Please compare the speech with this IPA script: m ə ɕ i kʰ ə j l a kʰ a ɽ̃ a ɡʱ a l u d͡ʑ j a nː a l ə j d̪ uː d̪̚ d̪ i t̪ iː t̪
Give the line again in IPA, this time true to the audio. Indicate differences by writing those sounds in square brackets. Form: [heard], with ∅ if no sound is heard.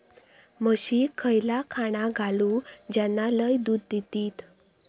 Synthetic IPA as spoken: m ə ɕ i kʰ ə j l a kʰ a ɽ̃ a ɡʱ a l u d͡ʑ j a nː a l ə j d̪ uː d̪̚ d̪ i t̪ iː t̪